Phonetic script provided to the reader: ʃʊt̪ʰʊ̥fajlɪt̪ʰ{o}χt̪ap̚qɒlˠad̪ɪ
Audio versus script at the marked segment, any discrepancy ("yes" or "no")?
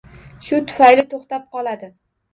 no